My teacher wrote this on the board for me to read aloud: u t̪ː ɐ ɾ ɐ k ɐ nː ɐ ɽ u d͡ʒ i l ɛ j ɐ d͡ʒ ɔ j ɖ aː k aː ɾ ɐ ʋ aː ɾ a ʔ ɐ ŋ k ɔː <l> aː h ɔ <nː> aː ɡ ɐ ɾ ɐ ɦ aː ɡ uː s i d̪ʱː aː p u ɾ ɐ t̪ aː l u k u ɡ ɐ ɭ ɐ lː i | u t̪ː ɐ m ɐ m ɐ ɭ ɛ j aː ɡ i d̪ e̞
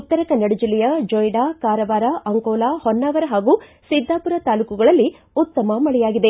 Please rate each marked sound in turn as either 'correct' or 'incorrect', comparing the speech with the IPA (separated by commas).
correct, correct